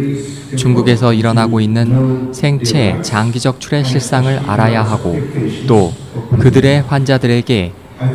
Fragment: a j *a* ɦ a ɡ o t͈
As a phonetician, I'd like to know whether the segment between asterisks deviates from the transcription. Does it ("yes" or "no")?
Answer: no